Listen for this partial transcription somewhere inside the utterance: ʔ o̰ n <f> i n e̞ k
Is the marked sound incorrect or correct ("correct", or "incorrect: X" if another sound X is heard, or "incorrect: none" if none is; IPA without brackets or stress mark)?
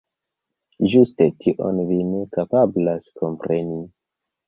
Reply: incorrect: v